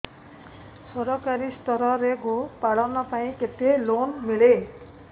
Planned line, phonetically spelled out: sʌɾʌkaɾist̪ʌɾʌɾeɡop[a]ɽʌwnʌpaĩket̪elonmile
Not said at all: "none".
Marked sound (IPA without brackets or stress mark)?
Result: a